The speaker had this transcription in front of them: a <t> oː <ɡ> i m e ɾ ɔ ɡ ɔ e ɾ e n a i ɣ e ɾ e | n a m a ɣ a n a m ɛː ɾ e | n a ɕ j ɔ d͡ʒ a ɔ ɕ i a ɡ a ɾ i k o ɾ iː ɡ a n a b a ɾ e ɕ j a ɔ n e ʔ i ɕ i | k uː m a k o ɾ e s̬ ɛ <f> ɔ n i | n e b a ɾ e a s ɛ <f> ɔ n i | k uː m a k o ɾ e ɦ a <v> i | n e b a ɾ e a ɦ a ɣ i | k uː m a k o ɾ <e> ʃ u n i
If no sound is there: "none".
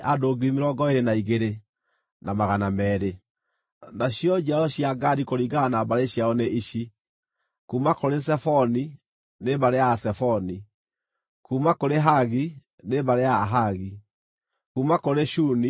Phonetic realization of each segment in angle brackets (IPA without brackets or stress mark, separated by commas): d, ɡ, f, f, ɣ, e